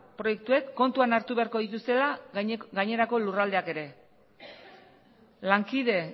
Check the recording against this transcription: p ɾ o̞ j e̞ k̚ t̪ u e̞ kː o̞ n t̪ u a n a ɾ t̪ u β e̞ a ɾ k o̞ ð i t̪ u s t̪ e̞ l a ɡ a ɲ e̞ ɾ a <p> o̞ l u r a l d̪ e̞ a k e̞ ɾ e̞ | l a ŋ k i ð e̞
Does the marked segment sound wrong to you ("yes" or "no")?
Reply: yes